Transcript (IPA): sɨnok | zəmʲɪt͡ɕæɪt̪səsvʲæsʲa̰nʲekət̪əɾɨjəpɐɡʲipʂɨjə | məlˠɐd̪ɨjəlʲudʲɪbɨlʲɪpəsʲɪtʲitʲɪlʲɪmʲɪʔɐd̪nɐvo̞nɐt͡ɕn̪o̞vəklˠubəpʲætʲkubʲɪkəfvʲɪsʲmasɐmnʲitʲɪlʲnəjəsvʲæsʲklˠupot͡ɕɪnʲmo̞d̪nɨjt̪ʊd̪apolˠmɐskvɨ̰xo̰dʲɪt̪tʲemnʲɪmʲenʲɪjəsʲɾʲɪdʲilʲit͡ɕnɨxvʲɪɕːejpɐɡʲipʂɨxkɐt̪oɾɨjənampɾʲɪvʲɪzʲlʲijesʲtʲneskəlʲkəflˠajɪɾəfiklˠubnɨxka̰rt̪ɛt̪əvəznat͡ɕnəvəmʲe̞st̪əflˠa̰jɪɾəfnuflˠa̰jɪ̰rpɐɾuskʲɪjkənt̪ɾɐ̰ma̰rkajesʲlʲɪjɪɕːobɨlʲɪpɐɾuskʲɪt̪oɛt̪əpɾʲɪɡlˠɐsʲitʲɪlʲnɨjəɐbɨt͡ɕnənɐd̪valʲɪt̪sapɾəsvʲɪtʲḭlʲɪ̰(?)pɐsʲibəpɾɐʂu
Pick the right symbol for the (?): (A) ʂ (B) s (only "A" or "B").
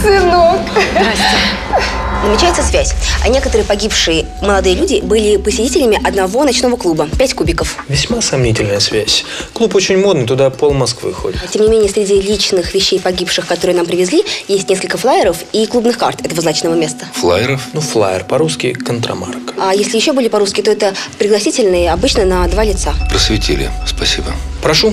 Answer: B